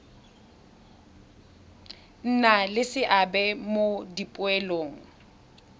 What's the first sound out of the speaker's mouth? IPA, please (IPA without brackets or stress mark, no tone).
n̩